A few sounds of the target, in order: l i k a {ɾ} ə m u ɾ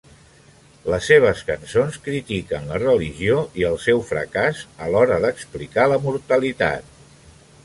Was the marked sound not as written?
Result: yes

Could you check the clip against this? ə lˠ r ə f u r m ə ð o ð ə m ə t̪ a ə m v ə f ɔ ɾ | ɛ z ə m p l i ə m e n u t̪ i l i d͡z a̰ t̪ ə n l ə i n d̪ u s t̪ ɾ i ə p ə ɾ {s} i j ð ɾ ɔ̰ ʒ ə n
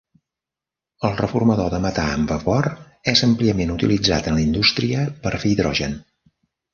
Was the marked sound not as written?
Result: yes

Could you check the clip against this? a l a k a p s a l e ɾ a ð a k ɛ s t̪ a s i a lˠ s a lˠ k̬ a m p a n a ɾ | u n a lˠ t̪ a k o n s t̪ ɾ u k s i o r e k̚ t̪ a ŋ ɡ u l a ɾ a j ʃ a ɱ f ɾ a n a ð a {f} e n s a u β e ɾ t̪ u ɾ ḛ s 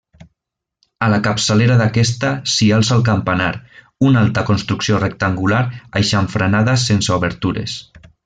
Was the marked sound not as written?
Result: yes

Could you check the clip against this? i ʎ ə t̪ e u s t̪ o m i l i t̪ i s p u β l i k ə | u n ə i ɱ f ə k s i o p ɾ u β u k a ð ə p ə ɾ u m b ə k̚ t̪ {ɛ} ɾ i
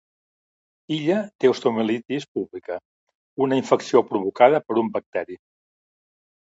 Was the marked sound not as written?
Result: no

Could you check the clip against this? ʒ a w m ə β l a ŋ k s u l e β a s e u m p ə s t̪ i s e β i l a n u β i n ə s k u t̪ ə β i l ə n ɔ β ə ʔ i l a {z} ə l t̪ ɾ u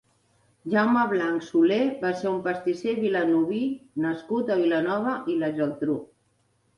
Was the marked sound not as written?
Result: yes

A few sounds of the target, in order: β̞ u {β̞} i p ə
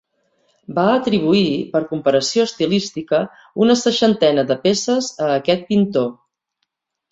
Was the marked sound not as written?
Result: yes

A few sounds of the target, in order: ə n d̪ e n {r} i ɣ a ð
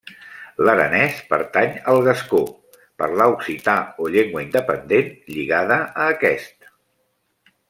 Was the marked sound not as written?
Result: yes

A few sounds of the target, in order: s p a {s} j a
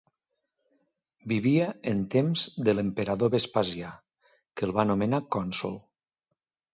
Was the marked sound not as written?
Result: yes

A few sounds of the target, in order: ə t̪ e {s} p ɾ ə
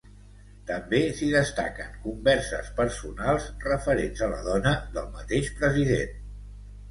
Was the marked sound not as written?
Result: yes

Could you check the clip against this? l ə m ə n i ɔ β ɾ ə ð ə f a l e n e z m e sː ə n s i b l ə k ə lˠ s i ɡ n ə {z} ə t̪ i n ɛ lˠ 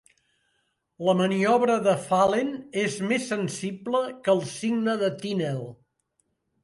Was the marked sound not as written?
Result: yes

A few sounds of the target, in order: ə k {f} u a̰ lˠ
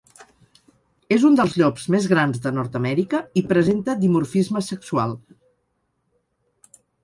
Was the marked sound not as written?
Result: yes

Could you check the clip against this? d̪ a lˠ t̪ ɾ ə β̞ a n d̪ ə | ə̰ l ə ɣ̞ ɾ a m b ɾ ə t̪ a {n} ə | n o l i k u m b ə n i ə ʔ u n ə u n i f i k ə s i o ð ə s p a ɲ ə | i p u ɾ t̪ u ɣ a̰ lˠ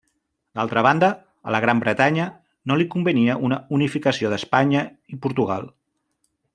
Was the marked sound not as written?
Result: yes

